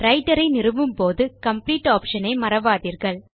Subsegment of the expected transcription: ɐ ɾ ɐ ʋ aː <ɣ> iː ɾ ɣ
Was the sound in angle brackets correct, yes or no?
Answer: no